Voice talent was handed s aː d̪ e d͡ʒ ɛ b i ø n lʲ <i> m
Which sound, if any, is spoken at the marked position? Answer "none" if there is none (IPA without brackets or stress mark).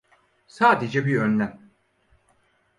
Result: æ